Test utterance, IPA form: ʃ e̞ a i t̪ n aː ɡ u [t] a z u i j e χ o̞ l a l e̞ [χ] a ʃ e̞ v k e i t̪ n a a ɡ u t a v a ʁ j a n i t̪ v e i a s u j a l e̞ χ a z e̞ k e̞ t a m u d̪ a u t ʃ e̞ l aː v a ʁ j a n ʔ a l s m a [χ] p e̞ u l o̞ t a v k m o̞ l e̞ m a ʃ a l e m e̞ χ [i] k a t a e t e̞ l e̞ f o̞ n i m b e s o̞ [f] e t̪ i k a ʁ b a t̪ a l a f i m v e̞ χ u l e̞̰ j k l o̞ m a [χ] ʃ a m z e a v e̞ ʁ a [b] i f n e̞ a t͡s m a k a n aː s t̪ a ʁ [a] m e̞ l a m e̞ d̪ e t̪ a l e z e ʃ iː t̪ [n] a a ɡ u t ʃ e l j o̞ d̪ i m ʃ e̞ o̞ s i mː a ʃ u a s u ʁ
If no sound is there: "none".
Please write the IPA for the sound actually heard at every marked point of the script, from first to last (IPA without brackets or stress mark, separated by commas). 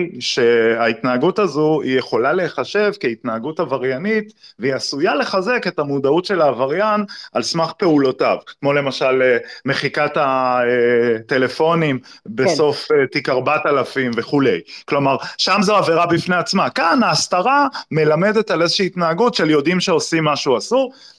t, χ, χ, i, f, ʁ, b, a, n